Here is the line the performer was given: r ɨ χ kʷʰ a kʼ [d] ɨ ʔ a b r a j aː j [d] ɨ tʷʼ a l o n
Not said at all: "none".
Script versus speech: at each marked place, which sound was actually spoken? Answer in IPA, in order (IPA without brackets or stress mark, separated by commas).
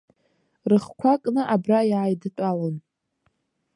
n, d